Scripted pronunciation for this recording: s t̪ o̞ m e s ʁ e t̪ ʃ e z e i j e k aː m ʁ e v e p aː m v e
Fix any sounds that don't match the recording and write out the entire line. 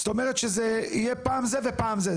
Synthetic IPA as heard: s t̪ o̞ m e ʁ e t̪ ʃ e z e i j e p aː m z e v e p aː m z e